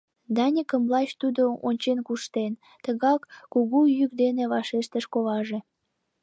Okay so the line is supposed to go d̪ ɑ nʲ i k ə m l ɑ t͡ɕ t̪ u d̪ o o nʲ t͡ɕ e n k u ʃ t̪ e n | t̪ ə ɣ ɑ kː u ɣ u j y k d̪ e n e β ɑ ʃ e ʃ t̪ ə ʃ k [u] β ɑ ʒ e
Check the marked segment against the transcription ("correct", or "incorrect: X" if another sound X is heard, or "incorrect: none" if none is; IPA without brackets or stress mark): incorrect: o